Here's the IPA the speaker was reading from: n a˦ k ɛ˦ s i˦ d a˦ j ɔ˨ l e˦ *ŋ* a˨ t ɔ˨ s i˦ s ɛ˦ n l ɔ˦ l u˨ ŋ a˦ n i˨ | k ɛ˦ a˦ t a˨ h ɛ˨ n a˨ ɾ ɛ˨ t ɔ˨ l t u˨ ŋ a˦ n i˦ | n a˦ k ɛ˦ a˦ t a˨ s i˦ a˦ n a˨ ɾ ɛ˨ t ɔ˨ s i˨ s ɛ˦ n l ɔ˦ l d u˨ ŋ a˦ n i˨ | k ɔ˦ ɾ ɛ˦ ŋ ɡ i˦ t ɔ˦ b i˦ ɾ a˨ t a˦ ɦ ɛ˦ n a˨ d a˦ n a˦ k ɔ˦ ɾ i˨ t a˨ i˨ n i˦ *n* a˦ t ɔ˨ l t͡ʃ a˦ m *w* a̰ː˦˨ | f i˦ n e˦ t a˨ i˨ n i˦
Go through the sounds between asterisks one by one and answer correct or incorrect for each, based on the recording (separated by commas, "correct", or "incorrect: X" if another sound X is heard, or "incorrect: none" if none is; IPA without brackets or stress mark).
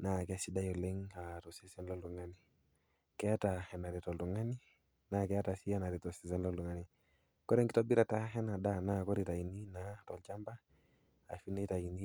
correct, correct, incorrect: b